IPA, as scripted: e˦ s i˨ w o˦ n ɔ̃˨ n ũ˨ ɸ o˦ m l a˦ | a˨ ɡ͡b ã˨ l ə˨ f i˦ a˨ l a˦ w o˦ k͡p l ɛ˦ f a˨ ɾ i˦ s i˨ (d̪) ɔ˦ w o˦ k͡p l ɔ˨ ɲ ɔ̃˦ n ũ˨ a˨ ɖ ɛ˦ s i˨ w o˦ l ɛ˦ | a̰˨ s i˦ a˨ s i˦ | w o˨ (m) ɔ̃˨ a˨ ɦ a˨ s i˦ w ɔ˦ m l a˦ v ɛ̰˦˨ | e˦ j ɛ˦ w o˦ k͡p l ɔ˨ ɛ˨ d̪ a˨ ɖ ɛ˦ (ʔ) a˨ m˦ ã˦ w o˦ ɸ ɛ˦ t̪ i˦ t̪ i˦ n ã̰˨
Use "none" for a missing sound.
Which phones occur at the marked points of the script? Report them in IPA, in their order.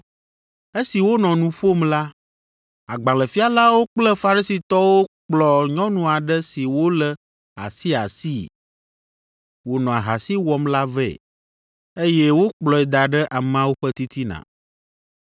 t̪, n, ʔ

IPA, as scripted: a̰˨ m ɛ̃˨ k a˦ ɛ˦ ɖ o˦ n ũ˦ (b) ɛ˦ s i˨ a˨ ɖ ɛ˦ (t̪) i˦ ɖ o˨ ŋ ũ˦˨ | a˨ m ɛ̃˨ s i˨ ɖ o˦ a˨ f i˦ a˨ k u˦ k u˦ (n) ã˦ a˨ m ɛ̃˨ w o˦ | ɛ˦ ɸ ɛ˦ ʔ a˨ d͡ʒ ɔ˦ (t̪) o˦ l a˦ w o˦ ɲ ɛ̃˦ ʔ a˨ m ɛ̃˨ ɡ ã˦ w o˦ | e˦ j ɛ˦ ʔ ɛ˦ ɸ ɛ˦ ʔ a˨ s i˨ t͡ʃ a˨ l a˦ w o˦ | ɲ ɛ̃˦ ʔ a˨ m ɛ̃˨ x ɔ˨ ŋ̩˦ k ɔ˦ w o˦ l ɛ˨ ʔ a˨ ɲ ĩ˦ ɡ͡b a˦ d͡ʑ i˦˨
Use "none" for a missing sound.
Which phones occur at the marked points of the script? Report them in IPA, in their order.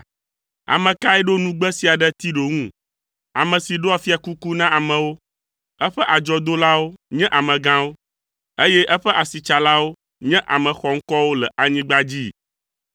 ɡ͡b, t̪, n, d̪

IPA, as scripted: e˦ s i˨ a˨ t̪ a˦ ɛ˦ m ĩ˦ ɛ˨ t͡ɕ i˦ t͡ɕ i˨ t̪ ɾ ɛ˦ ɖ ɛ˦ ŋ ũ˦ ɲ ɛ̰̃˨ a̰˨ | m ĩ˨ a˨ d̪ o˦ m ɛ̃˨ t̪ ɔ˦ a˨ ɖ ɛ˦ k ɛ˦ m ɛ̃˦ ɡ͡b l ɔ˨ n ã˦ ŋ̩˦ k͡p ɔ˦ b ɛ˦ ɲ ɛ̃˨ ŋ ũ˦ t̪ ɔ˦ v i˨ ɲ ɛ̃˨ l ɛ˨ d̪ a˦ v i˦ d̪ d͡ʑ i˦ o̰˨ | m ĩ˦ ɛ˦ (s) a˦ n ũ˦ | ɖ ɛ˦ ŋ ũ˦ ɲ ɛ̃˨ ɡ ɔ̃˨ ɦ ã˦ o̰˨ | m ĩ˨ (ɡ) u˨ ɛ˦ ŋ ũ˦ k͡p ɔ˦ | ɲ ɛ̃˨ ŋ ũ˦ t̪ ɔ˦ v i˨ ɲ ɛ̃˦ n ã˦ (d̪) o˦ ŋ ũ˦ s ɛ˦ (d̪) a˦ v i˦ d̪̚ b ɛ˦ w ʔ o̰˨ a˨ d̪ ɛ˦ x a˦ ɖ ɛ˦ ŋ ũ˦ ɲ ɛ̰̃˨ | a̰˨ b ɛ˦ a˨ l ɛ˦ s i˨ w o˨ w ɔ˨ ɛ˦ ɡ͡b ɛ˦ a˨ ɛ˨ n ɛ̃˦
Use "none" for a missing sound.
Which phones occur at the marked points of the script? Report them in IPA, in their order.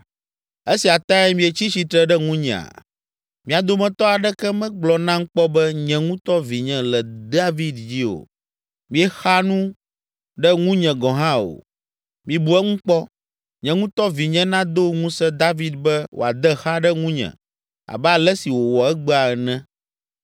x, b, d̪, d̪

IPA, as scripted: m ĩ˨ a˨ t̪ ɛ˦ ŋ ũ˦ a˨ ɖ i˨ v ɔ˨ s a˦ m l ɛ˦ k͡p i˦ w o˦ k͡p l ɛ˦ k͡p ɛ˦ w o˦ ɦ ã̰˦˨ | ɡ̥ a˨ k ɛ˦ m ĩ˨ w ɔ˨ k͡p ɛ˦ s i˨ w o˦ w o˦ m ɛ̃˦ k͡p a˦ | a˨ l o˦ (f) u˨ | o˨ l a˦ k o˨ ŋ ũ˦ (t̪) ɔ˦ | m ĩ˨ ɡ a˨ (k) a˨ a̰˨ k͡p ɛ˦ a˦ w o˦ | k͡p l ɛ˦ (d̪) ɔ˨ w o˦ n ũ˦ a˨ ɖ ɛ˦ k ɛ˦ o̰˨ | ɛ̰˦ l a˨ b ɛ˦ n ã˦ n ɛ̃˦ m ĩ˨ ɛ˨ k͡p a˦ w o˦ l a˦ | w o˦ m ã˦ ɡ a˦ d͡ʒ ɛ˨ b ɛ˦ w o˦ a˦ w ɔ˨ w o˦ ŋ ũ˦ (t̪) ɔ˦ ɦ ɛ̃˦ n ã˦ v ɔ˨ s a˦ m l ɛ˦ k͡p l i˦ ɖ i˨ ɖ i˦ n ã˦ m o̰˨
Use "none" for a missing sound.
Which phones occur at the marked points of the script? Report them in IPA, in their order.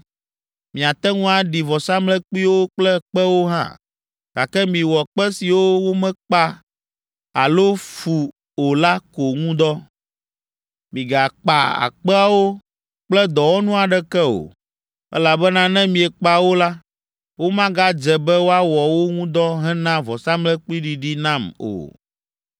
f, d̪, k͡p, d̪, d̪

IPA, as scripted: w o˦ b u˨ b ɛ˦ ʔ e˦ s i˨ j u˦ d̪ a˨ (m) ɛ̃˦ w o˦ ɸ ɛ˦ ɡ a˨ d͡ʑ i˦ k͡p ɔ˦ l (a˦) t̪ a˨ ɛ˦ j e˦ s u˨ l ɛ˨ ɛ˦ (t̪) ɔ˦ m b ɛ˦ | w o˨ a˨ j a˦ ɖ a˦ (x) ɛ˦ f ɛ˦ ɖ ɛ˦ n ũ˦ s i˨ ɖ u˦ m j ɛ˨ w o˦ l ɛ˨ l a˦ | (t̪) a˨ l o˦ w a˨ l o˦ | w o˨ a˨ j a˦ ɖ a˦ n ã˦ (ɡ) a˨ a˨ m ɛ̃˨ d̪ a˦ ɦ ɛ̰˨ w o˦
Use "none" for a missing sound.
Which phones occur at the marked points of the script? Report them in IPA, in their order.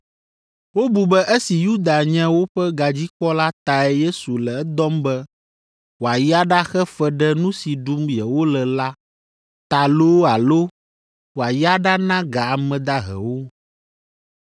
ɲ, a˦, d̪, x, t̪, ɡ

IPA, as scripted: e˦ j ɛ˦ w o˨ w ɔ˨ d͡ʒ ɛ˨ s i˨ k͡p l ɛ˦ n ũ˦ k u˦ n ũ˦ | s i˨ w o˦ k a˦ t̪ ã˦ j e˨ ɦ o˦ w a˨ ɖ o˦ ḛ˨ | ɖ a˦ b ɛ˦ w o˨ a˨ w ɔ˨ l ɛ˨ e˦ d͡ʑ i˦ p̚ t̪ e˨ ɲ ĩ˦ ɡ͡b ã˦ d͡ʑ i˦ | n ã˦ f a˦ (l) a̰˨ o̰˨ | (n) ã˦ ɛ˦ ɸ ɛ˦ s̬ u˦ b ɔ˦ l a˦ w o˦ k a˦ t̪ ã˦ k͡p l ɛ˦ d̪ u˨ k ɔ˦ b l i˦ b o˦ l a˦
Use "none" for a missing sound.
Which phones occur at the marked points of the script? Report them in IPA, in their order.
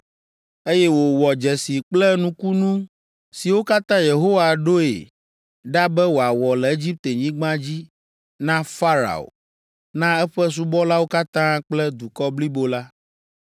ɾ, n

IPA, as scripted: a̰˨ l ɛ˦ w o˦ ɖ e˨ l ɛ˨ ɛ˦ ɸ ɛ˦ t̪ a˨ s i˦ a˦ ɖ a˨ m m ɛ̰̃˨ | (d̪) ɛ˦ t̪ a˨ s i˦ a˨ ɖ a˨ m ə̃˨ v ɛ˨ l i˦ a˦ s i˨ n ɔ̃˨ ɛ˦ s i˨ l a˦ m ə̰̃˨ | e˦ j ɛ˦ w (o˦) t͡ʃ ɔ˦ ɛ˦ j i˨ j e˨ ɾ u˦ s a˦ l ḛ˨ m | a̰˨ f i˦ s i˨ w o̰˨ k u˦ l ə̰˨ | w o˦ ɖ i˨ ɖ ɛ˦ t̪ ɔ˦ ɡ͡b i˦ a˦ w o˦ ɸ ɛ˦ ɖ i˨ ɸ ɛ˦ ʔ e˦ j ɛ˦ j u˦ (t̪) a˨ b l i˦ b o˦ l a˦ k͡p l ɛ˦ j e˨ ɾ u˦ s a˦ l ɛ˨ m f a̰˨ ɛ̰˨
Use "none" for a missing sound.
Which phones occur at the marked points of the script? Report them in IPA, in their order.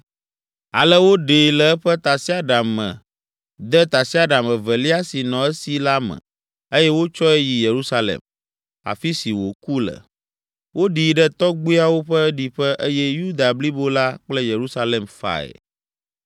d̪, o˦, d̪

